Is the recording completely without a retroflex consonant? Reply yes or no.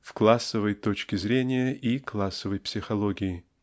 yes